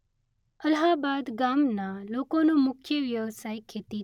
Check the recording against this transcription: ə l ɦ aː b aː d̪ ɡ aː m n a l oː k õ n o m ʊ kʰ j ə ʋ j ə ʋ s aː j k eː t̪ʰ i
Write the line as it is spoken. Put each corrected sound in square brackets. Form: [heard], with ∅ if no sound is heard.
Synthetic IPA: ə l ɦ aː b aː d̪ ɡ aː m n a l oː k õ n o m ʊ kʰ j ə ʋ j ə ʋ s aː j [kʰ] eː [t̪] i